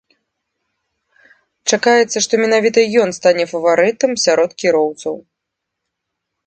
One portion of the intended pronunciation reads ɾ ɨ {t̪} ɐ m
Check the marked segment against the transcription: correct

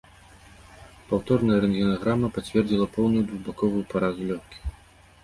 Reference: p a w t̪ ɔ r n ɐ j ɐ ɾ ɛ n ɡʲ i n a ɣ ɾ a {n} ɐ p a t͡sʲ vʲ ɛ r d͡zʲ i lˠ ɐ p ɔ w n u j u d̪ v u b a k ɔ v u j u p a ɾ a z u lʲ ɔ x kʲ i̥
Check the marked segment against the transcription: incorrect: m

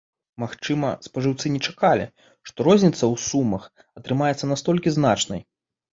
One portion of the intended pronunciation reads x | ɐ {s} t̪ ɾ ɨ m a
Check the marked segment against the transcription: incorrect: none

